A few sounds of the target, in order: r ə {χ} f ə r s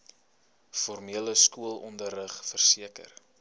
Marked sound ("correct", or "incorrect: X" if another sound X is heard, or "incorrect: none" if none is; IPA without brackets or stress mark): correct